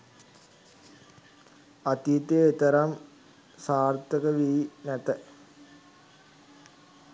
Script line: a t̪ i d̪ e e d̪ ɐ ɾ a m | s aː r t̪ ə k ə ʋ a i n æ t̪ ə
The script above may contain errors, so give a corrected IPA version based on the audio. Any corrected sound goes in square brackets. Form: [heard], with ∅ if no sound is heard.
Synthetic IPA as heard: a t̪ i [t̪] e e [t̪] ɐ ɾ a m | s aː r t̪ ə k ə ʋ [i] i n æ t̪ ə